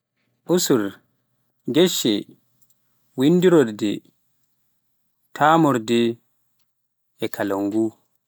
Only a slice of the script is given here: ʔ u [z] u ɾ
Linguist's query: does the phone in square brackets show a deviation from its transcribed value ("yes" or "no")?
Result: yes